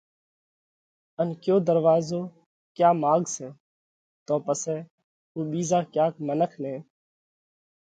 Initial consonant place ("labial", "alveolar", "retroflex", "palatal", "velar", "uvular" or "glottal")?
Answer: alveolar